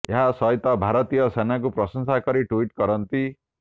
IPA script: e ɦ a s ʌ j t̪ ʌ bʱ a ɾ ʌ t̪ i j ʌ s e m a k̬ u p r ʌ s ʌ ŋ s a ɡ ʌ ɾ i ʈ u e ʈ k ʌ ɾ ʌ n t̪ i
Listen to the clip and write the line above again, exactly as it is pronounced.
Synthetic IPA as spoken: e ɦ a s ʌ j t̪ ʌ bʱ a ɾ ʌ t̪ i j ʌ s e n a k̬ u p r ʌ s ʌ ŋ s a k ʌ ɾ i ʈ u i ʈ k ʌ ɾ ʌ n t̪ i